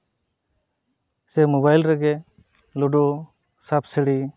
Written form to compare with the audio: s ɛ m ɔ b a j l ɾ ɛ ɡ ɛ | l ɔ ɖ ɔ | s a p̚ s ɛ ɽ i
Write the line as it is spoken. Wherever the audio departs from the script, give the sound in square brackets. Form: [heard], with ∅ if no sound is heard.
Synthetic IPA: s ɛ m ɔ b a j l ɾ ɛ ɡ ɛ | l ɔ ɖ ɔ | s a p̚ s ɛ ɽ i